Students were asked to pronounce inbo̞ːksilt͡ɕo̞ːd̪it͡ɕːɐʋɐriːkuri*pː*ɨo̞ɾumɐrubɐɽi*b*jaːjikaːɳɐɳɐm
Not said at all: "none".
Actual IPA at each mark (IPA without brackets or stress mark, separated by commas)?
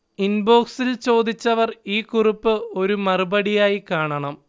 pː, none